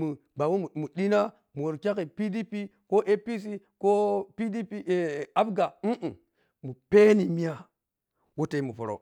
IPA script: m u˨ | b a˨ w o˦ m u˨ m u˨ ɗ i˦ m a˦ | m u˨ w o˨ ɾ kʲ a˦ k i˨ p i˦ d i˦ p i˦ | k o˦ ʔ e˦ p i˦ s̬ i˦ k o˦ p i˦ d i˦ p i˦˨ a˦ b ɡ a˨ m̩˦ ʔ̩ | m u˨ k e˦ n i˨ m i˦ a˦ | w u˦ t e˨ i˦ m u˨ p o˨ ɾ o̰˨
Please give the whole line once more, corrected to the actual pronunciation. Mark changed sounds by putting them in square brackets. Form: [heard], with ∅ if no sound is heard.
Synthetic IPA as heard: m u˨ | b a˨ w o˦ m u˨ m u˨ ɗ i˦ [n] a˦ | m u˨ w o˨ ɾ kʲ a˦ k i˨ p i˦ d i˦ p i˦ | k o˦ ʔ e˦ p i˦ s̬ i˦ k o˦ p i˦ d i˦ p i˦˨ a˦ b ɡ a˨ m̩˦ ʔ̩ | m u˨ [p] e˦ n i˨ m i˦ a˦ | w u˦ t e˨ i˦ m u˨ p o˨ ɾ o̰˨